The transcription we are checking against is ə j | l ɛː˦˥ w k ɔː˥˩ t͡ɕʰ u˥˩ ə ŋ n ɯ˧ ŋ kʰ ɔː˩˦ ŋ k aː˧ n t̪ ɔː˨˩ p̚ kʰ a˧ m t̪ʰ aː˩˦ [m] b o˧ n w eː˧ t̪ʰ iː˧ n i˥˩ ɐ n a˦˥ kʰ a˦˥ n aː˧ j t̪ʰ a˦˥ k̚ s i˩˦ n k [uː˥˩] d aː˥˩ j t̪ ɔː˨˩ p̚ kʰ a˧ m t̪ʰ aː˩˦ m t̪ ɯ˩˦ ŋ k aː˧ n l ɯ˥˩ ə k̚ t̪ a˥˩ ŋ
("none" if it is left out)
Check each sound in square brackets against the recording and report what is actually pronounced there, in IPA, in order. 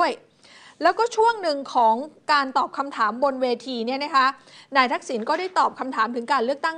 m, ɔː˥˩

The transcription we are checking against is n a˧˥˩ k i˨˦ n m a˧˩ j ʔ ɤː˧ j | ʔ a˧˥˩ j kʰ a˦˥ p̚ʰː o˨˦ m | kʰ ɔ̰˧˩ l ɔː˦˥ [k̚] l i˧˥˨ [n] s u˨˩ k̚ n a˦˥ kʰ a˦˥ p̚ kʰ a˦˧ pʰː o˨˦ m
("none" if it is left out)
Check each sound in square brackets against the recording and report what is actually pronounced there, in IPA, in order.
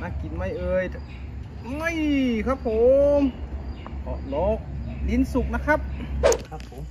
k̚, n

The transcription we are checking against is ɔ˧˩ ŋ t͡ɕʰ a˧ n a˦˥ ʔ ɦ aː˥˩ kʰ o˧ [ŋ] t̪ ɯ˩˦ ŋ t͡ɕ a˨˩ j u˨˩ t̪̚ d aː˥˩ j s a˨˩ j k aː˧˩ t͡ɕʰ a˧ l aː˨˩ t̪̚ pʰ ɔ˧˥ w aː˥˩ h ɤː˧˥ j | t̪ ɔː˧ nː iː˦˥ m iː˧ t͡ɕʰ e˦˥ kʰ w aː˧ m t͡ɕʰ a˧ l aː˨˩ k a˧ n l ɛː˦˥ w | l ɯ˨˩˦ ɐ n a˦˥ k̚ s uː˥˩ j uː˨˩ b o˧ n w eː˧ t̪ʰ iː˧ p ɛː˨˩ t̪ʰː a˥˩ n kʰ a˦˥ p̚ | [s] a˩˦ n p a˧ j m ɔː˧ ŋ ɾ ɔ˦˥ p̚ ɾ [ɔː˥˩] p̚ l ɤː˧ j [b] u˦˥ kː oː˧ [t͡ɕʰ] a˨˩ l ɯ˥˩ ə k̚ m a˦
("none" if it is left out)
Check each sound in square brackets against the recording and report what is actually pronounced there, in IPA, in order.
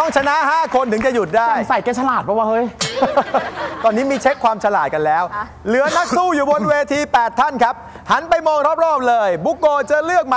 n, h, ɔː˥˩, b, t͡ɕ

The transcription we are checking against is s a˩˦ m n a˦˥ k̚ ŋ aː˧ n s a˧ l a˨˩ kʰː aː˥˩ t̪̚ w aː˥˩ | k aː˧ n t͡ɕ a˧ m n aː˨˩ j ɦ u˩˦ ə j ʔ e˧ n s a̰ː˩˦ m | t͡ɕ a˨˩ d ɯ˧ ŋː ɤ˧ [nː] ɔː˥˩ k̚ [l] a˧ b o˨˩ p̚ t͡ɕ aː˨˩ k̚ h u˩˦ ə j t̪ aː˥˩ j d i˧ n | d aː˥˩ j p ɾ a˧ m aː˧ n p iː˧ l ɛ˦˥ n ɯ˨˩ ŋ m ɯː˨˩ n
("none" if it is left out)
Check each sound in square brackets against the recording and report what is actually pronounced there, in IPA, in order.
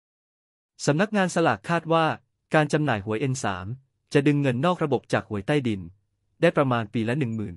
nː, ɾ

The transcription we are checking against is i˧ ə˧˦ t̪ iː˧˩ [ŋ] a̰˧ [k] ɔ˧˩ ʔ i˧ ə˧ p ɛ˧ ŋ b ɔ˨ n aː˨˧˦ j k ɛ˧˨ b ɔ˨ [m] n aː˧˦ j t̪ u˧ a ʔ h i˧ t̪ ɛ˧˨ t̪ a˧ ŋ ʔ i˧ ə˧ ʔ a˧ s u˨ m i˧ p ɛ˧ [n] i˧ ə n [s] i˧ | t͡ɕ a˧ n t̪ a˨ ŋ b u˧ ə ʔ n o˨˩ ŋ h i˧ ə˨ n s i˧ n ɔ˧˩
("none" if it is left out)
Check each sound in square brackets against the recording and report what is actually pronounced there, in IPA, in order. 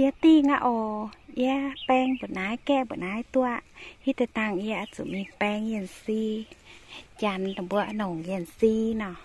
ŋ, ʔ, none, ŋ, s

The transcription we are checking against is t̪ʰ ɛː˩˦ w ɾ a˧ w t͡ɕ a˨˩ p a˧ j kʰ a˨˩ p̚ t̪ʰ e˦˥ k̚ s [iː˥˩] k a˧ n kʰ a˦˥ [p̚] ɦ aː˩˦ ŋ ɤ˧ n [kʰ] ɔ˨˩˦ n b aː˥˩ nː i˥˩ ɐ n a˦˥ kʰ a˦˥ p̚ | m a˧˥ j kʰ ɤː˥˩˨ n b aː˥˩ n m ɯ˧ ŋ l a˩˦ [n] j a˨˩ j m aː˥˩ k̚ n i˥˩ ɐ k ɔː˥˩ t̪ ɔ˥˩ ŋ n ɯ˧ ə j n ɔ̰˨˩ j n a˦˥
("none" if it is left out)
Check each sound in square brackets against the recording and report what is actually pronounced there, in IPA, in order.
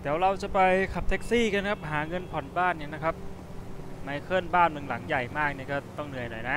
iː˥˩, p̚, pʰ, ŋ

